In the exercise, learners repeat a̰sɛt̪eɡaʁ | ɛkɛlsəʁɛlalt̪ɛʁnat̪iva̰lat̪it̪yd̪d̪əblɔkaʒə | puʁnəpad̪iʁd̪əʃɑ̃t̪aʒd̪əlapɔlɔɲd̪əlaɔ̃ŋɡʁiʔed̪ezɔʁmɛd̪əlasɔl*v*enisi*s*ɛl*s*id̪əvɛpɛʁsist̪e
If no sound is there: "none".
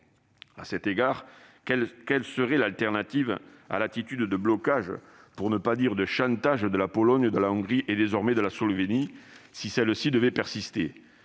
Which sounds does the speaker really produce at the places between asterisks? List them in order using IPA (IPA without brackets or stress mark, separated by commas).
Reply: v, s, s